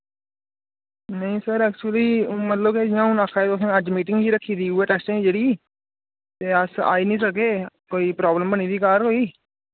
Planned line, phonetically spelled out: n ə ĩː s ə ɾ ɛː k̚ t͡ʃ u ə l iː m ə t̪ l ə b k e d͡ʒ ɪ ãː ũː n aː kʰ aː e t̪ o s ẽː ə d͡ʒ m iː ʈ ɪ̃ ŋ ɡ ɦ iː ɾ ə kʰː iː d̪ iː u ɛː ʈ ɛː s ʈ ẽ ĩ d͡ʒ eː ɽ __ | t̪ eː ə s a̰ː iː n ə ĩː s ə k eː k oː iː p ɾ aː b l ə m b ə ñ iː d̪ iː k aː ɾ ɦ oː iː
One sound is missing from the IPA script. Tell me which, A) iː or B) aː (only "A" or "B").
A